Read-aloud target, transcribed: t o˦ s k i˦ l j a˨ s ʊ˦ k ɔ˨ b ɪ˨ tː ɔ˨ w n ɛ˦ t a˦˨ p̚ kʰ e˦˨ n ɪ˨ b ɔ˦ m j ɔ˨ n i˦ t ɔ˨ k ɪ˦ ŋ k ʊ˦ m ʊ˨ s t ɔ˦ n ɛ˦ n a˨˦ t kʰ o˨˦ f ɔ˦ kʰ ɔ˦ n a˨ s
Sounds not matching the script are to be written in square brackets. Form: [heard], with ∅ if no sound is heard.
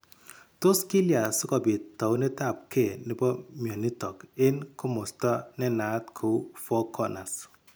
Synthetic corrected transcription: t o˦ s k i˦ l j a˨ s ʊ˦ k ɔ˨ b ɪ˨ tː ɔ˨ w n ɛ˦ t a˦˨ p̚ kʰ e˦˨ n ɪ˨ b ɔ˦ m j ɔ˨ n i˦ t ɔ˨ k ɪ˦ [n] k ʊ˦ m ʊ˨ s t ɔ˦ n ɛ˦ n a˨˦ t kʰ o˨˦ f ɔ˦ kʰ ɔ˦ n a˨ s